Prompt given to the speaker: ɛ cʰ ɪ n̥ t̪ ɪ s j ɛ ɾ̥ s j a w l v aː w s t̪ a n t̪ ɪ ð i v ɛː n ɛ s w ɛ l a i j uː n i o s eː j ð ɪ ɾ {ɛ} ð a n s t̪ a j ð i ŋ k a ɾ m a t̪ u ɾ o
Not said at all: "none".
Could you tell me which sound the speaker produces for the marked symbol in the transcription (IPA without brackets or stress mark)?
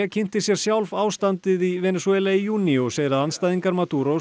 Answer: a